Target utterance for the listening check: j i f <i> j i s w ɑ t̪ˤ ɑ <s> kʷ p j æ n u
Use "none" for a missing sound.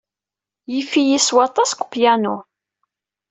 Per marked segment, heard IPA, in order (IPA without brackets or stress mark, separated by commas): i, s